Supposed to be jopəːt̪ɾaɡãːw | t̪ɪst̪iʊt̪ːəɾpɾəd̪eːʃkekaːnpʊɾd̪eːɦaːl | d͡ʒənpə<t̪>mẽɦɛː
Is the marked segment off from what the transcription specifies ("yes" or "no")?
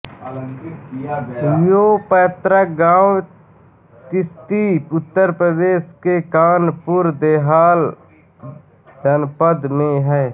yes